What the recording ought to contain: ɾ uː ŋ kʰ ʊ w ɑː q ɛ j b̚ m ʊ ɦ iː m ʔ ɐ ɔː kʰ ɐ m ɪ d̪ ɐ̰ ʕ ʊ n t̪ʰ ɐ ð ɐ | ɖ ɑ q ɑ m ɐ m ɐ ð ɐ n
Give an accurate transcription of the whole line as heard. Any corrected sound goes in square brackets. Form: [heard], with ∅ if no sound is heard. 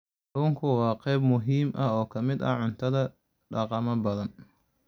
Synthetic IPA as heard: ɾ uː ŋ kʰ ʊ w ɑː q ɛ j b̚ m ʊ ɦ iː m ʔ ɐ ɔː kʰ ɐ m ɪ d̪ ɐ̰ ʕ ʊ n t̪ʰ ɐ ð ɐ | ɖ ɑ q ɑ m ɐ [b] ɐ ð ɐ n